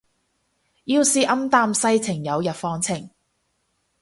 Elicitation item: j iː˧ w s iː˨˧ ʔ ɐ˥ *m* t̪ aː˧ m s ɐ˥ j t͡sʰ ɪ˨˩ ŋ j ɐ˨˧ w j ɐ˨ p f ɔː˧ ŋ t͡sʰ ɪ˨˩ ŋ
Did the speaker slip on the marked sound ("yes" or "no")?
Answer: no